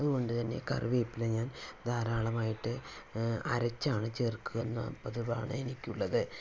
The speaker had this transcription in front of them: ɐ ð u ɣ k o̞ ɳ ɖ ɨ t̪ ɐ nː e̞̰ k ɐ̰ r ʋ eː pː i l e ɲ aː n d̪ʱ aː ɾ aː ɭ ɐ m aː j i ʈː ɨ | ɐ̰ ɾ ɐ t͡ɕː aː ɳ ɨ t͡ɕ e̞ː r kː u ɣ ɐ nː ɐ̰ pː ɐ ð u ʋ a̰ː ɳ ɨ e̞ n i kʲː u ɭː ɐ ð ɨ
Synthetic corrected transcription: ɐ ð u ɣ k o̞ ɳ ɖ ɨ t̪ ɐ nː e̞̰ k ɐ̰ r ʋ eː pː i l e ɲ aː n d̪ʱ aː ɾ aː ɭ ɐ m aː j i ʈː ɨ | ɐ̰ ɾ ɐ t͡ɕː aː ɳ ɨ t͡ɕ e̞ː r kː u ɣ ɐ nː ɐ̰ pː ɐ ð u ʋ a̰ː ɳ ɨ e̞ n i kʲː u ɭː ɐ ð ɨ

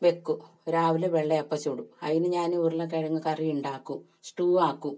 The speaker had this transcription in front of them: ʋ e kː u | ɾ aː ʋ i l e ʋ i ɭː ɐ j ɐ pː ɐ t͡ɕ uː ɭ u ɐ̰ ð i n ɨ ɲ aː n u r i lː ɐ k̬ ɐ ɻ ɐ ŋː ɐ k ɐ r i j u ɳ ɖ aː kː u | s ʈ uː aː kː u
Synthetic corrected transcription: ʋ e kː u | ɾ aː ʋ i l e ʋ e ɭː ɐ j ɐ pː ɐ t͡ɕ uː ɽ u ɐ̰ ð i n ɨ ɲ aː n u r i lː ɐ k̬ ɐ ɻ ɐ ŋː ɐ k ɐ r i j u ɳ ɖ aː kː u | s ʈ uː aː kː u

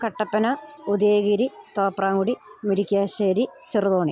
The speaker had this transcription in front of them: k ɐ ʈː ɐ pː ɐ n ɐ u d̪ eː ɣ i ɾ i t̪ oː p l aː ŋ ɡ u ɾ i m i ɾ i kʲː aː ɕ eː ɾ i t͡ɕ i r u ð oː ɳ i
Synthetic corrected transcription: k ɐ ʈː ɐ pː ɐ n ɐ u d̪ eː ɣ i ɾ i t̪ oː p r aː ŋ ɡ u ɽ i m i ɾ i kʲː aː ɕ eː ɾ i t͡ɕ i r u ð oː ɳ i

